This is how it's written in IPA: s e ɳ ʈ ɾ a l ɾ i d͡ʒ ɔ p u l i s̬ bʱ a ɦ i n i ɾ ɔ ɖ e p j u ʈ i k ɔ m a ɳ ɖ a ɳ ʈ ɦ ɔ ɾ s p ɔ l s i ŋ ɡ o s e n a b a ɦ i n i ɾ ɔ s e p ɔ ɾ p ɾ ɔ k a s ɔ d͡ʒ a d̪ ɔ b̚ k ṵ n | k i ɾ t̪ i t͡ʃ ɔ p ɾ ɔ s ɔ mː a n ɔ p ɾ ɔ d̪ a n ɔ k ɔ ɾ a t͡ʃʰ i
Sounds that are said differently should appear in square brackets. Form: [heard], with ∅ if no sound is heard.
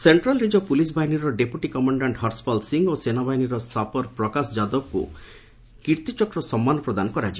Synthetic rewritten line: s e ɳ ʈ ɾ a l ɾ i d͡ʒ ɔ p u l i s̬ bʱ a ɦ i n i ɾ ɔ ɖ e p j u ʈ i k ɔ m a ɳ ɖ a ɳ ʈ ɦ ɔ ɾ s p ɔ l s i ŋ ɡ o s e n a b a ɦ i n i ɾ ɔ s [a] p ɔ ɾ p ɾ ɔ k a s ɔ d͡ʒ a d̪ ɔ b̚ k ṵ [∅] | k i ɾ t̪ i t͡ʃ ɔ [k] ɾ ɔ s ɔ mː a n ɔ p ɾ ɔ d̪ a n ɔ k ɔ ɾ a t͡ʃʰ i

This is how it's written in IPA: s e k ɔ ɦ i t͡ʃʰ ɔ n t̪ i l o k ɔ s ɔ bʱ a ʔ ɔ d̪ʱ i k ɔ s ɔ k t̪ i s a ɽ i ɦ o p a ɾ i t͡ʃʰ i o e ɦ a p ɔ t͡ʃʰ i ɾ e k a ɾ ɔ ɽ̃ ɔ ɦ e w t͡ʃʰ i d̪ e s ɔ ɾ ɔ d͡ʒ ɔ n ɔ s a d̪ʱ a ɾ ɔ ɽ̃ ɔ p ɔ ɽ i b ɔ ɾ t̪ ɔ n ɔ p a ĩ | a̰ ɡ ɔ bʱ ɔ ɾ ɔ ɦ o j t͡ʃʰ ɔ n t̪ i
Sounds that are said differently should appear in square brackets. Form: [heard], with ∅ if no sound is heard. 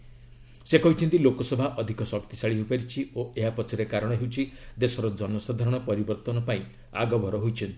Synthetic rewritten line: s e k ɔ ɦ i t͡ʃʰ ɔ n t̪ i l o k ɔ s ɔ bʱ a ʔ ɔ d̪ʱ i k ɔ s ɔ k t̪ i s a [ɭ] i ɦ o p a ɾ i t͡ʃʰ i o e ɦ a p ɔ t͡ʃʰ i ɾ e k a ɾ ɔ ɽ̃ ɔ ɦ e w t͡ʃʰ i d̪ e s ɔ ɾ ɔ d͡ʒ ɔ n ɔ s a d̪ʱ a ɾ ɔ ɽ̃ ɔ p ɔ [ɾ] i b ɔ ɾ t̪ ɔ n ɔ p a ĩ | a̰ ɡ ɔ bʱ ɔ ɾ ɔ ɦ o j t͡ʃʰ ɔ n t̪ i

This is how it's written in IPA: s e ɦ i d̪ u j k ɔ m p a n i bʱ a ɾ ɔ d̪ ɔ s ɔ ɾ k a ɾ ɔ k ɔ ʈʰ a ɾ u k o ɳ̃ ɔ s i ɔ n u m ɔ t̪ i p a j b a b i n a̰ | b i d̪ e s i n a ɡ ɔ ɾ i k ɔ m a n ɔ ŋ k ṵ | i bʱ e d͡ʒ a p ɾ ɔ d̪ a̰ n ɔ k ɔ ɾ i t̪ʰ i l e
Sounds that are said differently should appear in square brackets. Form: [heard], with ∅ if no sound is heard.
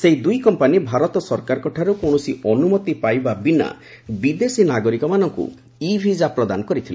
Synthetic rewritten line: s e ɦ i d̪ u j k ɔ m p a n i bʱ a ɾ ɔ [t̪] ɔ s ɔ ɾ k a ɾ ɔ k ɔ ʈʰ a ɾ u k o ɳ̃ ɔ s i ɔ n u m ɔ t̪ i p a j b a b i n a̰ | b i d̪ e s i n a ɡ ɔ ɾ i k ɔ m a n ɔ ŋ k ṵ | i bʱ [i] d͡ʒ a p ɾ ɔ d̪ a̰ n ɔ k ɔ ɾ i t̪ʰ i l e

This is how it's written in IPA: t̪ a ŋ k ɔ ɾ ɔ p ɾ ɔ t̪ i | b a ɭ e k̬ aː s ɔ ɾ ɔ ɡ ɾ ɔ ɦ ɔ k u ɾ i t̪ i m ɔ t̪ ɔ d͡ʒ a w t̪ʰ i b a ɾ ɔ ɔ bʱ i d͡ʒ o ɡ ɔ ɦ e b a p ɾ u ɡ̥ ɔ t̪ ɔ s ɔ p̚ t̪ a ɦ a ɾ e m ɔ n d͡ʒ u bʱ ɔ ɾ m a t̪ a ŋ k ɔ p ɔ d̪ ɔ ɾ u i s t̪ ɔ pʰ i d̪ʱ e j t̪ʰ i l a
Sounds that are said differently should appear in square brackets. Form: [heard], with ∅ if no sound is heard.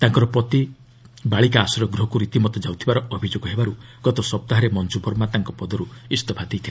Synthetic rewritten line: t̪ a ŋ k ɔ ɾ ɔ p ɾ ɔ t̪ i | b a ɭ [i] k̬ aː s ɔ ɾ ɔ ɡ ɾ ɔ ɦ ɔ k u ɾ i t̪ i m ɔ t̪ ɔ d͡ʒ a w t̪ʰ i b a ɾ ɔ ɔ bʱ i d͡ʒ o ɡ ɔ ɦ e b a [∅] ɾ u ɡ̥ ɔ t̪ ɔ s ɔ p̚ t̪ a ɦ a ɾ e m ɔ n d͡ʒ u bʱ ɔ ɾ m a t̪ a ŋ k ɔ p ɔ d̪ ɔ ɾ u i s t̪ ɔ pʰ [a] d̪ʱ e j t̪ʰ i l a

